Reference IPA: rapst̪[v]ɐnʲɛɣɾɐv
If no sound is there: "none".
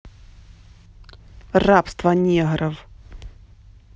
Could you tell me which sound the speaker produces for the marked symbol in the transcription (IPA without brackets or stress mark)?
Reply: v